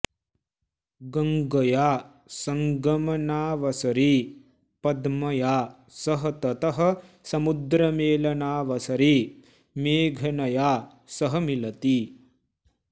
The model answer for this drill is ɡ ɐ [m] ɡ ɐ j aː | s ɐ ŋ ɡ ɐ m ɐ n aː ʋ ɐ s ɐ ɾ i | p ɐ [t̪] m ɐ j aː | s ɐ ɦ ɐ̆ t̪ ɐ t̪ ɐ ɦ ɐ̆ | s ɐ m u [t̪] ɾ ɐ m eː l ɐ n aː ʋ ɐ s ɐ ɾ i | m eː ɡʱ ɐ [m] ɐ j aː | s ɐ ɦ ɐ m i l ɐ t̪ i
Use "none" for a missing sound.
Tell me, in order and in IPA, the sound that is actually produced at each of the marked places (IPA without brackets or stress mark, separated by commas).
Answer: ŋ, d̪, d̪, n